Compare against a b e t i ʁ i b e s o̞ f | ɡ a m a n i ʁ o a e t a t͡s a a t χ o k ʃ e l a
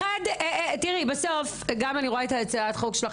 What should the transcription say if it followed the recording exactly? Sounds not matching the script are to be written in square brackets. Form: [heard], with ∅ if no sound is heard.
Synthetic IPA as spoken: a [d] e t i ʁ i b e s o̞ f | ɡ a m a n i ʁ o a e t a t͡s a a t χ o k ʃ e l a